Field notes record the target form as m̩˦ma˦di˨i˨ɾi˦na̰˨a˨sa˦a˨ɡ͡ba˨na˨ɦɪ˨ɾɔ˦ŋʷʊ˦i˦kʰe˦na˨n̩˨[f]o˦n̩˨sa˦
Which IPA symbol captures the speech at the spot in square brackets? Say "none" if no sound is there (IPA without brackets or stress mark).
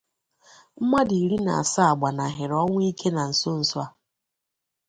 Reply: s